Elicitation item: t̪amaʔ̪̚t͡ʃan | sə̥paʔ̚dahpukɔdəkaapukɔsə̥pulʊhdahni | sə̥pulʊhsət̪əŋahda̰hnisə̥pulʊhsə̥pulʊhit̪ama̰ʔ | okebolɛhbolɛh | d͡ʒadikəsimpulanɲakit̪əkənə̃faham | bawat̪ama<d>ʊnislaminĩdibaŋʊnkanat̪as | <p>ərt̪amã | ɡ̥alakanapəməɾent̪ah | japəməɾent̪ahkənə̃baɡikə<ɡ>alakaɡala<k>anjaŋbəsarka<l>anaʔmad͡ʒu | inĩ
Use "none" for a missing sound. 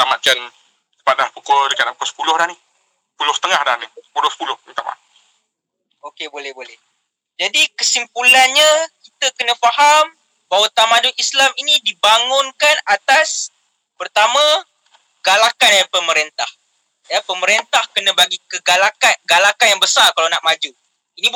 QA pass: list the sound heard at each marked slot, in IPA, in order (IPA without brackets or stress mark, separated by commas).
d, p, ɡ, k, l